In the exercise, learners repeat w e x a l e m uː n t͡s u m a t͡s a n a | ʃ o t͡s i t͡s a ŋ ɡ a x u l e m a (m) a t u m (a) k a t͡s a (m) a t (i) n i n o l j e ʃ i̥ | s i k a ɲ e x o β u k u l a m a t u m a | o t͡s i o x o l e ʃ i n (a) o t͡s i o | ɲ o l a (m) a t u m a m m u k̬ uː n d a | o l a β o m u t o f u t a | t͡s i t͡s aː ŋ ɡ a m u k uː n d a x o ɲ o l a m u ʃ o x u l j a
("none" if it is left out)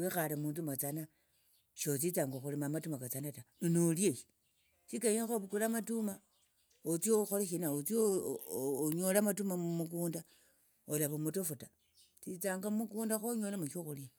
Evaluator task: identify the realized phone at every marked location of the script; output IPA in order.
m, a, n, a, a, m

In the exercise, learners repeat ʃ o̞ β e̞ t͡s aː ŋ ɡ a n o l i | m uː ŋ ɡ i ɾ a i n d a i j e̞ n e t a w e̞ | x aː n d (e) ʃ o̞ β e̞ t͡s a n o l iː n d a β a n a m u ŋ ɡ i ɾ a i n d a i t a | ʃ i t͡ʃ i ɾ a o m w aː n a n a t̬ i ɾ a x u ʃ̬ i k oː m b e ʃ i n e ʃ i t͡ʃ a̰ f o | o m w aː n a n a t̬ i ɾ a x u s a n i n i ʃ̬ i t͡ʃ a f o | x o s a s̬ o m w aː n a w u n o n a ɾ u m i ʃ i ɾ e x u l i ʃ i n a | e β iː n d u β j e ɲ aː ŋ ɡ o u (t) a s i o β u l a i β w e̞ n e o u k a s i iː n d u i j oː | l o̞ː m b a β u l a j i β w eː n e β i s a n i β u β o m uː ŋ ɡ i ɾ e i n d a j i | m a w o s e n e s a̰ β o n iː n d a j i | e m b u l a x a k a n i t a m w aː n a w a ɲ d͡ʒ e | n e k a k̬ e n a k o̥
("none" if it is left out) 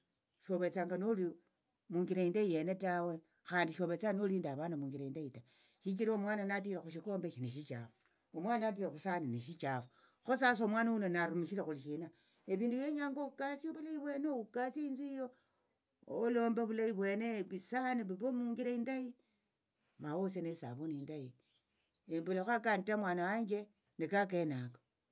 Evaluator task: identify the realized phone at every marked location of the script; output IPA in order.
i, k

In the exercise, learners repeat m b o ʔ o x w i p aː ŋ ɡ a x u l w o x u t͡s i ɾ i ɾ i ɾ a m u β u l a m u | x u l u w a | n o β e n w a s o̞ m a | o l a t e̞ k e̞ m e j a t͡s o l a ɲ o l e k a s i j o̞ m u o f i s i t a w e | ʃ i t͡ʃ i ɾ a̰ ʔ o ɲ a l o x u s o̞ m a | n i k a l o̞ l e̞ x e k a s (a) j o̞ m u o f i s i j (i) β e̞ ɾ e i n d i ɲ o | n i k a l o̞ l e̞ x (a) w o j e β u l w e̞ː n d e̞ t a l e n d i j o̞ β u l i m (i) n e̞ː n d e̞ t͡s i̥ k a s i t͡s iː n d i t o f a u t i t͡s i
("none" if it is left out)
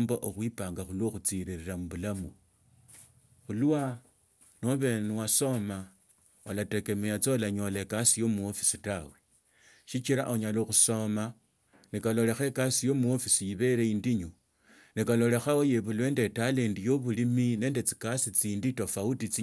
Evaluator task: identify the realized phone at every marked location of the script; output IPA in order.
i, i, a, i

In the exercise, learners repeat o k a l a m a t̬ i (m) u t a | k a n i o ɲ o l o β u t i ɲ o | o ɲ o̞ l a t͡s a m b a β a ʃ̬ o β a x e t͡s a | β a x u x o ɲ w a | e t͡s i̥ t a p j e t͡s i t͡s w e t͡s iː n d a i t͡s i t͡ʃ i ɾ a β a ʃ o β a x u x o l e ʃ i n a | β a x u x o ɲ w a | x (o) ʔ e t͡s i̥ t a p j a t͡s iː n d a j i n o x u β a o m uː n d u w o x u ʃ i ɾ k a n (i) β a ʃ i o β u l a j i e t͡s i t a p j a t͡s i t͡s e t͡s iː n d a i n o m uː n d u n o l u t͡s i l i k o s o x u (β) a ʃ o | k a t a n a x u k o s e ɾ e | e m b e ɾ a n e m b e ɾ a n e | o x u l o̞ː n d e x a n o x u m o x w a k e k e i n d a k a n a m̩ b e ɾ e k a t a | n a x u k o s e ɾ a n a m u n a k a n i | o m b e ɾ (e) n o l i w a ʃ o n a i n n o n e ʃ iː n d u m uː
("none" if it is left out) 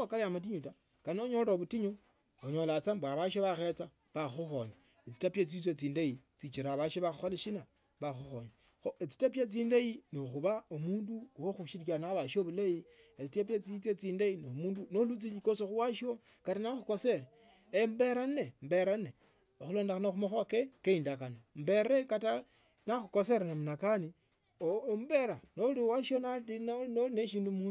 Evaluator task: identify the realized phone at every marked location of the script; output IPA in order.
ɲ, o, a, w, a

